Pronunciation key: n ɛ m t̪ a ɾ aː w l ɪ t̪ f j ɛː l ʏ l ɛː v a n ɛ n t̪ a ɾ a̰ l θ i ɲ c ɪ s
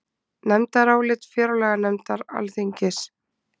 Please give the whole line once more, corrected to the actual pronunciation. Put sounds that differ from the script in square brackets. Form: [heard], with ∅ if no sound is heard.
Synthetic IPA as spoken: n ɛ m t̪ a ɾ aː w l ɪ t̪ f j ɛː [ɾ] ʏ l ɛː [ɣ] a n ɛ [m] t̪ a ɾ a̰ l θ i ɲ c ɪ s